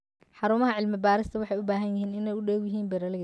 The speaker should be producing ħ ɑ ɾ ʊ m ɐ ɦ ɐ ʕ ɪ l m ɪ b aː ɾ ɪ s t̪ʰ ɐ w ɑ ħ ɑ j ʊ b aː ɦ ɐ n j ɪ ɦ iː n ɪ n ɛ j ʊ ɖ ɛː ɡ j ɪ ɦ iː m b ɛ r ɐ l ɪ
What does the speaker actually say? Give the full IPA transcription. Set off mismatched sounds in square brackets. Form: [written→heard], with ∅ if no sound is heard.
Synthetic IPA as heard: ħ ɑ ɾ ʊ m ɐ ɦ ɐ ʕ ɪ l m ɪ b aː ɾ ɪ s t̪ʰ ɐ w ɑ ħ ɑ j ʊ b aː ɦ ɐ n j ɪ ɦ iː n ɪ n ɛ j ʊ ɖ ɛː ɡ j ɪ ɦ iː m b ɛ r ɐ l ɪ